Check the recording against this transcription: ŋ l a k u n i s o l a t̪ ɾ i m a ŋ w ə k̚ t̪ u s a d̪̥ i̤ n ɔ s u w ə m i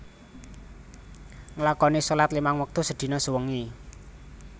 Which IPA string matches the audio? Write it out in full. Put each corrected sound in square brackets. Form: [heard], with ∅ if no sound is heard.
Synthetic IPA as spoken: ŋ l a k [ɔ] n i s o l a t̪ [l] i m a ŋ w ə k̚ t̪ u s [ə] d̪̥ i̤ n ɔ s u w ə [ŋ] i